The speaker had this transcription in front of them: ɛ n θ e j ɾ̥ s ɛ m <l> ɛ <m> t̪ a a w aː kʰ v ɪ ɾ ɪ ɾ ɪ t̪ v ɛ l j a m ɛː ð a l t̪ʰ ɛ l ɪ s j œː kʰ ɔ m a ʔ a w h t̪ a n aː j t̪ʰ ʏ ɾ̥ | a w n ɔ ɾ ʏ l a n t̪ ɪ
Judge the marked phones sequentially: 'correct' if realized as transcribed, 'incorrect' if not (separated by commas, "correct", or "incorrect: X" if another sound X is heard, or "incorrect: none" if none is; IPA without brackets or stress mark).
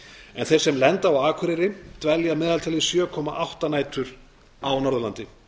correct, incorrect: n